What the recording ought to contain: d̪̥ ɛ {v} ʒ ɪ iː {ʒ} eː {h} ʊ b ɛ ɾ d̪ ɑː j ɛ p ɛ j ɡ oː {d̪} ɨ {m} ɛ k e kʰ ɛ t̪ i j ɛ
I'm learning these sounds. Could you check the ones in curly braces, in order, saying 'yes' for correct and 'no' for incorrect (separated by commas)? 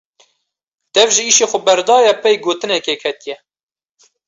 yes, no, no, no, no